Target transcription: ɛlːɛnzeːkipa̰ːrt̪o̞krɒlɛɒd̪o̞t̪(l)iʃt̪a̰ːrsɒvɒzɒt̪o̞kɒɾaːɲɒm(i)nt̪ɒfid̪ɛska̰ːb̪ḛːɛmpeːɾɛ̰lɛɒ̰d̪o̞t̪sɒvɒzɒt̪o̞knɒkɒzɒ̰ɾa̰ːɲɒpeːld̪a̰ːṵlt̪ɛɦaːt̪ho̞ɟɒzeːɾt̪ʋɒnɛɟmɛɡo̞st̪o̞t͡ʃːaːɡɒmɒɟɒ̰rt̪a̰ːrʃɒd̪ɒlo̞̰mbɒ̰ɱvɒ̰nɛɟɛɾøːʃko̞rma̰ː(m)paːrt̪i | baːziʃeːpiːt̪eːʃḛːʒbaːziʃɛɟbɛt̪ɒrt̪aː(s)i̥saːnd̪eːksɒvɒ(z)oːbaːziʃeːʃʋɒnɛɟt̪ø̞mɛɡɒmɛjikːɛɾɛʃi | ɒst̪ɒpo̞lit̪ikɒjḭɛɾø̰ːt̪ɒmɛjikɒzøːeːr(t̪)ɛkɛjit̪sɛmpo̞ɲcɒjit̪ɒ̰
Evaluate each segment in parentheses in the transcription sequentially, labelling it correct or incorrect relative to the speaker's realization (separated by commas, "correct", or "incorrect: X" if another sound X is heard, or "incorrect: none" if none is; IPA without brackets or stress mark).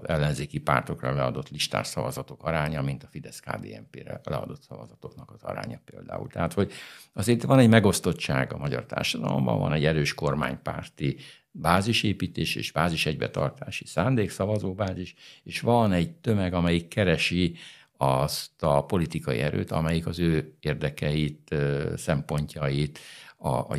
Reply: correct, correct, incorrect: ɲ, incorrect: ʃ, correct, incorrect: d̪